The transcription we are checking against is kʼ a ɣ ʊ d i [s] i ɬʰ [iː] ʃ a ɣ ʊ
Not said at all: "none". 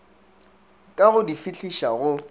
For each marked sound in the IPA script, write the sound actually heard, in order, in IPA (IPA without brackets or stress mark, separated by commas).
f, i